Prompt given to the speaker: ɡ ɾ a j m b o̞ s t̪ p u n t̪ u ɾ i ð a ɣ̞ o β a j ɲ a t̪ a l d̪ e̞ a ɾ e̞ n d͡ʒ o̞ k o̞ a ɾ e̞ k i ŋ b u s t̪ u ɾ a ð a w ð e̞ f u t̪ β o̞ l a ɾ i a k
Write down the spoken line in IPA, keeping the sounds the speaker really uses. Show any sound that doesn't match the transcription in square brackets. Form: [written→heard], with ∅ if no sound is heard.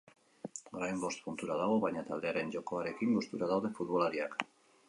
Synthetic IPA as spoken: ɡ ɾ a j m b o̞ s t̪ p u n t̪ u ɾ [i→a] ð a ɣ̞ o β a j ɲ a t̪ a l d̪ e̞ a ɾ e̞ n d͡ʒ o̞ k o̞ a ɾ e̞ k i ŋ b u s t̪ u ɾ a ð a w ð e̞ f u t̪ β o̞ l a ɾ i a k